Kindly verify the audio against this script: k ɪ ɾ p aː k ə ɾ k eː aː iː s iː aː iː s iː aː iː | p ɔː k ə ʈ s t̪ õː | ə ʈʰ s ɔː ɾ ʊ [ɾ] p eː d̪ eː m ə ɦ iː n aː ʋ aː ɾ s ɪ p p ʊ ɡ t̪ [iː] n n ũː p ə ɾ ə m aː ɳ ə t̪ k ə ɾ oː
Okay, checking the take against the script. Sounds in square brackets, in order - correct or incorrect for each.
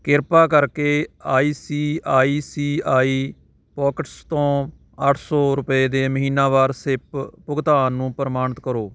incorrect: none, incorrect: aː

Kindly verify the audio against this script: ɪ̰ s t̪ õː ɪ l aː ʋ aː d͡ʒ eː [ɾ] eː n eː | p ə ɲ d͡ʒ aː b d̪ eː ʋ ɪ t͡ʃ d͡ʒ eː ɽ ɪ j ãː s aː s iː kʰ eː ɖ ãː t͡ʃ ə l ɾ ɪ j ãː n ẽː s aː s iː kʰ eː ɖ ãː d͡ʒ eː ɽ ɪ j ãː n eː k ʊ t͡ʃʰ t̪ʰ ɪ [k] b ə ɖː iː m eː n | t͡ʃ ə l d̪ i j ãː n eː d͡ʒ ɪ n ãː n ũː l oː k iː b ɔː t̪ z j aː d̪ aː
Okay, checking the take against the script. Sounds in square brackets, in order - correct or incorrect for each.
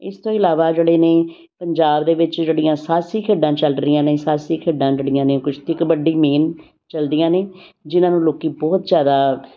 incorrect: ɽ, correct

